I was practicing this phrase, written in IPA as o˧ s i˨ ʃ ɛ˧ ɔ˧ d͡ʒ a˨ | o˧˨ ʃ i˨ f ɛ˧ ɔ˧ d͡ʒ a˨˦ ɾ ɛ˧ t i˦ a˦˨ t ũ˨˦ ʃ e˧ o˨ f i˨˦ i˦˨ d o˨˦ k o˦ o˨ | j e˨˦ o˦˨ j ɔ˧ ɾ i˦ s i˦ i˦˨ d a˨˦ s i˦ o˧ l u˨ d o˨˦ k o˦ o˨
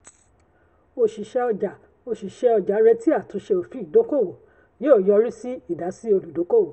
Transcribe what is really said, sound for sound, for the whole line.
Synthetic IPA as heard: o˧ ʃ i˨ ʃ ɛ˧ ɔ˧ d͡ʒ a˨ | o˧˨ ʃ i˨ ʃ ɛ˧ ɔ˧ d͡ʒ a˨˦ ɾ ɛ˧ t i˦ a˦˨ t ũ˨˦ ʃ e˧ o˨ f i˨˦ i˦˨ d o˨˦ k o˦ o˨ | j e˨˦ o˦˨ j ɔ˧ ɾ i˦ s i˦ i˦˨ d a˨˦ s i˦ o˧ l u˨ d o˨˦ k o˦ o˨